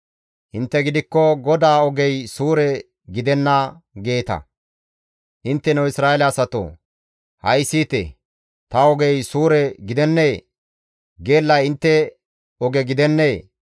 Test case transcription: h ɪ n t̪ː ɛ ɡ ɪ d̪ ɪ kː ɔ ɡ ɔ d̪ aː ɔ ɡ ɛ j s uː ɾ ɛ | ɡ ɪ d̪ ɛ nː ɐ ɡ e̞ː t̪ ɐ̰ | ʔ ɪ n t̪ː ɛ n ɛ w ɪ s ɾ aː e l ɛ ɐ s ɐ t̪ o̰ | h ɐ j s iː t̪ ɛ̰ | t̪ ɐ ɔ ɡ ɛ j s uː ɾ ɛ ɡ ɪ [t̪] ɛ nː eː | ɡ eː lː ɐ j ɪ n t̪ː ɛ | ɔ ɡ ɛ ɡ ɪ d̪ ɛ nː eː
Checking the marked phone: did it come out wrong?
yes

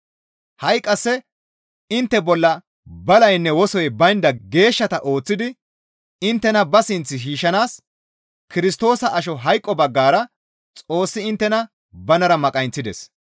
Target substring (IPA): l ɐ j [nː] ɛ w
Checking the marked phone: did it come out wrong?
no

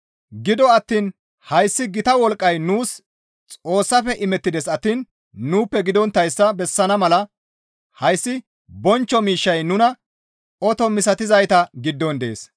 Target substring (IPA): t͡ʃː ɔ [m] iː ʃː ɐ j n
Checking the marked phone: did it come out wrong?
no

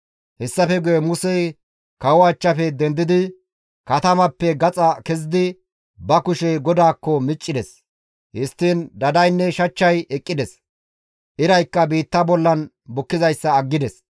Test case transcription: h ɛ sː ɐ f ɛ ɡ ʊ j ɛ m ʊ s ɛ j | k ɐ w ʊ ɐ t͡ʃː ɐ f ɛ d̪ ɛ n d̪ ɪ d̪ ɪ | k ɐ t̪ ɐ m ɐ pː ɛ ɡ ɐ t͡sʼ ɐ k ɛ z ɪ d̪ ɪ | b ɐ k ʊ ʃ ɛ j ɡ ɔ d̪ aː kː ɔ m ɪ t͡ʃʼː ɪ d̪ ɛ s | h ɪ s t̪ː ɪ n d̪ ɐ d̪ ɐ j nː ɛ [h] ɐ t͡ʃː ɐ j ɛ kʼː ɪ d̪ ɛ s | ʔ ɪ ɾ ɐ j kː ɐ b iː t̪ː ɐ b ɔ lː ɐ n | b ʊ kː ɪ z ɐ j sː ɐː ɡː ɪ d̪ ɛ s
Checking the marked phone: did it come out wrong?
yes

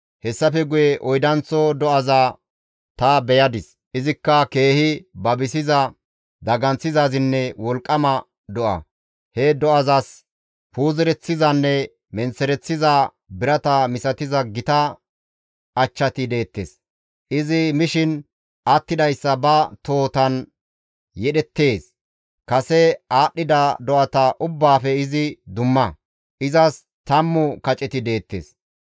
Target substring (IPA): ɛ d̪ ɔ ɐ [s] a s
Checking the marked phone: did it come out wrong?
yes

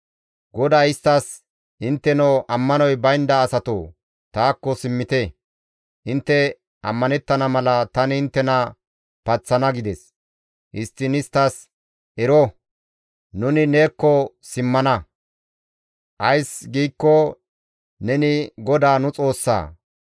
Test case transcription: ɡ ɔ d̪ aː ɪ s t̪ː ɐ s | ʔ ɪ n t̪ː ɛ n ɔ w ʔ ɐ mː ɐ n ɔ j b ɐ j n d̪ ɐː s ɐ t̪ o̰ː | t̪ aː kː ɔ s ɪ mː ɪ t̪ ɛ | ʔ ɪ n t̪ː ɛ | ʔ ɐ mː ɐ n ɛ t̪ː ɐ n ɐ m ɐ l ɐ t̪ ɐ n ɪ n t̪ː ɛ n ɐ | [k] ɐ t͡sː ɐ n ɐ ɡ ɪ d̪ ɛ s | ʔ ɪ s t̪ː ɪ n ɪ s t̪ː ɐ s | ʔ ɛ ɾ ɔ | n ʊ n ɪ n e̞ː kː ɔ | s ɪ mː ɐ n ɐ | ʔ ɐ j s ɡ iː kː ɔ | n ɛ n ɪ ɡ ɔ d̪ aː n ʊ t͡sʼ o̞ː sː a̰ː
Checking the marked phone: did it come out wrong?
yes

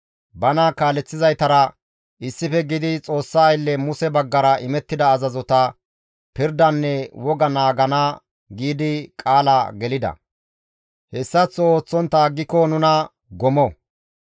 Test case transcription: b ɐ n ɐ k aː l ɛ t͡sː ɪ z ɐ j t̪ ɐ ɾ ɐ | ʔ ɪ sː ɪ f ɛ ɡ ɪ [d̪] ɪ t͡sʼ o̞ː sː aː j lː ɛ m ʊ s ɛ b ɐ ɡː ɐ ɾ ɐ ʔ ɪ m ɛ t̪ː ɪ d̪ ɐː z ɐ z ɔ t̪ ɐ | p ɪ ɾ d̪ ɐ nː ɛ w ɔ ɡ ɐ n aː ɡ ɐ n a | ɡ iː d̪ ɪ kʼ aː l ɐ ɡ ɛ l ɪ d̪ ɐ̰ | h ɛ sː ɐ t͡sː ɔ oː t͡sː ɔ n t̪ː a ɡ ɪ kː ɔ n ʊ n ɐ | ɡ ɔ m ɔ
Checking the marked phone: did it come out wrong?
no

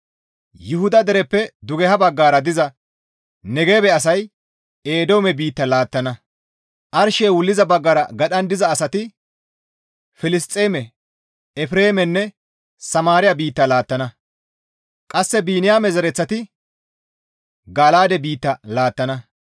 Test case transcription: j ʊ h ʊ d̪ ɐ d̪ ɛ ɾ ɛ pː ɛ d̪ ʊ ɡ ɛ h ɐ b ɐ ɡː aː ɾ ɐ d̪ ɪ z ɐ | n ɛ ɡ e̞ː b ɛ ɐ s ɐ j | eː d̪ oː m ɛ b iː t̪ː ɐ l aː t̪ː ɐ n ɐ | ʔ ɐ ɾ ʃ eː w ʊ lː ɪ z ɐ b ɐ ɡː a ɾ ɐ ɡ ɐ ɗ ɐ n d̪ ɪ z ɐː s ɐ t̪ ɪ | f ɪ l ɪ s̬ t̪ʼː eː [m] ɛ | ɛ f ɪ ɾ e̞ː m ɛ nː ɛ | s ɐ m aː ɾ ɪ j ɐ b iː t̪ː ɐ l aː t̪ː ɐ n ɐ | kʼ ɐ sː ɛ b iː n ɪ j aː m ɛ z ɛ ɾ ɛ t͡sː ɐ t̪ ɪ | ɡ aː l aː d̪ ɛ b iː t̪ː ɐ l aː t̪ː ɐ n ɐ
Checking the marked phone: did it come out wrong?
no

